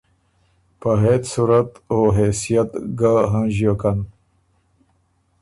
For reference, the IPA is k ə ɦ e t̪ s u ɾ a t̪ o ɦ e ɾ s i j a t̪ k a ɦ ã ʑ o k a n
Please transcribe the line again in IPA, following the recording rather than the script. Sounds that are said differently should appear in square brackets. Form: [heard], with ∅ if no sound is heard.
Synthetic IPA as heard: [p] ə ɦ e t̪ s u ɾ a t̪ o ɦ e [∅] s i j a t̪ [ɡ] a ɦ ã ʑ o k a n